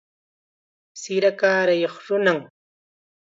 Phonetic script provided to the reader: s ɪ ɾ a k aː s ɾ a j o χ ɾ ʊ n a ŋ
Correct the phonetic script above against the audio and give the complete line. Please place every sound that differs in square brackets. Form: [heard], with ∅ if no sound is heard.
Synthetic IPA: s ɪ ɾ a k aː [∅] ɾ a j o χ ɾ ʊ n a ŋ